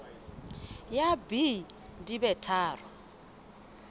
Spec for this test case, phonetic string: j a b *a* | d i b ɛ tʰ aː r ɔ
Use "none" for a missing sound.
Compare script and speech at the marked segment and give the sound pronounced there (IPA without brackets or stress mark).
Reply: i